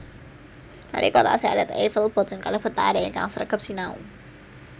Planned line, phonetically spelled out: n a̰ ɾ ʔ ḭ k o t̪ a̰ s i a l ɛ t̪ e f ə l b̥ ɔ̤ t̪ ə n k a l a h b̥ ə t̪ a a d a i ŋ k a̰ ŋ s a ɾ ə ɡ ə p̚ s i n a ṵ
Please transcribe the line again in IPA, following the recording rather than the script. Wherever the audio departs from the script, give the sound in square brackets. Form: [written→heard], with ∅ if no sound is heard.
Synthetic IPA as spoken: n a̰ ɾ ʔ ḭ k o t̪ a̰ s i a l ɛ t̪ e f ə l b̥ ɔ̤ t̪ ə n k a l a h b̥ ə t̪ a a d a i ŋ k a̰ ŋ s [a→ə] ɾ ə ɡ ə p̚ s i n a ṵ